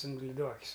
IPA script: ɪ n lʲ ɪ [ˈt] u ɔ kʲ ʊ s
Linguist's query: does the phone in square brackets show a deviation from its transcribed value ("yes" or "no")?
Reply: yes